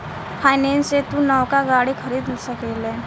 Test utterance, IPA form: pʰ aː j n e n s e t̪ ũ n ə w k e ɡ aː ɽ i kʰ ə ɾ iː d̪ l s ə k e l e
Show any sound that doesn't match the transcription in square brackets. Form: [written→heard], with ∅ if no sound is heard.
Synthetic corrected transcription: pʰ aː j n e n s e t̪ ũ n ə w k [e→a] ɡ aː ɽ i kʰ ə ɾ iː d̪ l s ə k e l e